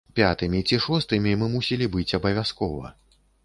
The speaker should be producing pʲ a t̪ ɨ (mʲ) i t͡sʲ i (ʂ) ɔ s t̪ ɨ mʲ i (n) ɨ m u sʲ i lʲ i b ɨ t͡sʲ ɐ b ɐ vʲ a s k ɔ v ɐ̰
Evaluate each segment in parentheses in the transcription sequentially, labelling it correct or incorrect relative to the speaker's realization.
correct, correct, incorrect

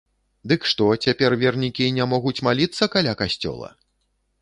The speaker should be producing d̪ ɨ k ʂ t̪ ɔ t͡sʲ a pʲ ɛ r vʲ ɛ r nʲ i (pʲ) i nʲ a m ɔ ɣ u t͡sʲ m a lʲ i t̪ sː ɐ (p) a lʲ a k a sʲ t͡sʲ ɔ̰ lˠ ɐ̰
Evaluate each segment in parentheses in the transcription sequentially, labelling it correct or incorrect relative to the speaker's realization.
incorrect, incorrect

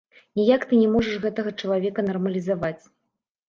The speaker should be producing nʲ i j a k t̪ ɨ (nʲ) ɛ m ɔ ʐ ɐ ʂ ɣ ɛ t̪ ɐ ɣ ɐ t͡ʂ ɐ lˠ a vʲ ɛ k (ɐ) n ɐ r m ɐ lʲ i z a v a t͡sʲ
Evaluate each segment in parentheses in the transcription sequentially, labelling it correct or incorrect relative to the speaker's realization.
correct, correct

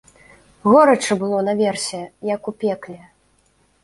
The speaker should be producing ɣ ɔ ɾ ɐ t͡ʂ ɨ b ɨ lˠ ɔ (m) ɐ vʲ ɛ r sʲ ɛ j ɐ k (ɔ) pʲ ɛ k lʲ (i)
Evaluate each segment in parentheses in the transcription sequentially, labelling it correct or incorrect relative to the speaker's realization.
incorrect, incorrect, incorrect

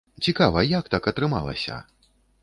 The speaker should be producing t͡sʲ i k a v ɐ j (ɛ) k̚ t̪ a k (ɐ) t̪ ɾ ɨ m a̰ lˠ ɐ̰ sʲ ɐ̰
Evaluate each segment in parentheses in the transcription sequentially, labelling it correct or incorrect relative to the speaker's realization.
incorrect, correct

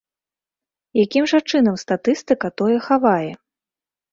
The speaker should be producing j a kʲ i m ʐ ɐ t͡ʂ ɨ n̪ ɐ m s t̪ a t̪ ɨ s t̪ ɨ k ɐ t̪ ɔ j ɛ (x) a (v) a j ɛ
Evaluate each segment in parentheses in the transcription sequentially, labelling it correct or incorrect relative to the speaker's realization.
correct, correct

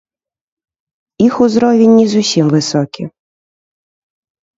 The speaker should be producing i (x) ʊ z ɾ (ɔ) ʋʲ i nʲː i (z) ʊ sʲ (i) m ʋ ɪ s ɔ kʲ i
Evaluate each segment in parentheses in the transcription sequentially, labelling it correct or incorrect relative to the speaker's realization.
correct, correct, correct, correct

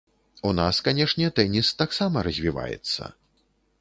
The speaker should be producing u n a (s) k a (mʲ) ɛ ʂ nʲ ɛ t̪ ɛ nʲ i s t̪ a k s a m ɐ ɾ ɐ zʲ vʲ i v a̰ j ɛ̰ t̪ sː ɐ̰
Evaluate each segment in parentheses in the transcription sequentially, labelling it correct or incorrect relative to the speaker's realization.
correct, incorrect

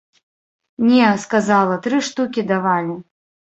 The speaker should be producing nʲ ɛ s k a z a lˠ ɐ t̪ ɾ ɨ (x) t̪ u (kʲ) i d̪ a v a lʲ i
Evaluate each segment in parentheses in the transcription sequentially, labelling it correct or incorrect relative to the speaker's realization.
incorrect, correct

